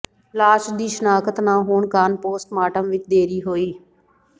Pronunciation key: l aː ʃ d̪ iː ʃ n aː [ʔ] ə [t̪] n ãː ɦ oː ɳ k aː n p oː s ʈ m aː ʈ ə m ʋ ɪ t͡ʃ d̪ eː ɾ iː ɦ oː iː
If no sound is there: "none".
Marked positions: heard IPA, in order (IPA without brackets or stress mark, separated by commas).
k, t̪